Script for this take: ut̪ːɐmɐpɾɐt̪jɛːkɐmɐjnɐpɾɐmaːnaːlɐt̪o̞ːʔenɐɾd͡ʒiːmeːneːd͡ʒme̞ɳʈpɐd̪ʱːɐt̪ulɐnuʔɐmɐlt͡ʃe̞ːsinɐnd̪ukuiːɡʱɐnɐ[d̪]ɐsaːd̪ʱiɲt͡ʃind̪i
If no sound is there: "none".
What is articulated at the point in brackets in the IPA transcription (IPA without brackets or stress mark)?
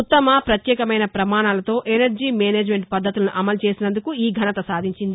t̪